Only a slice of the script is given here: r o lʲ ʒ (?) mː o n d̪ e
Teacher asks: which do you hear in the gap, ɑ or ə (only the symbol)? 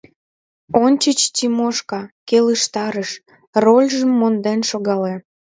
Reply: ə